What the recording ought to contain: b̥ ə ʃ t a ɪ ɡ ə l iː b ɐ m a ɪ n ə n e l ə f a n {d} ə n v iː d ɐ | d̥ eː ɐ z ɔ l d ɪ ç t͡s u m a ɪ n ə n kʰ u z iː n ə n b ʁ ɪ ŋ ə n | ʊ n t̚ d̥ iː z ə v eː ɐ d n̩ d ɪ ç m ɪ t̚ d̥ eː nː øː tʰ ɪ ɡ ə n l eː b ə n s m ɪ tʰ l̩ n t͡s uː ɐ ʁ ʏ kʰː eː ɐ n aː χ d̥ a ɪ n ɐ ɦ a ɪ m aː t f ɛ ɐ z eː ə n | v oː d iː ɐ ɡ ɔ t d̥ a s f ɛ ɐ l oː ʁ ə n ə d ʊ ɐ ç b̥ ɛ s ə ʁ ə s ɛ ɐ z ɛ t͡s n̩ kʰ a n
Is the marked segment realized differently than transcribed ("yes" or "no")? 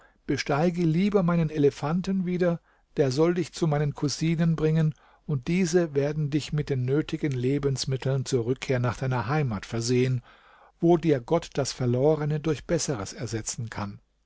yes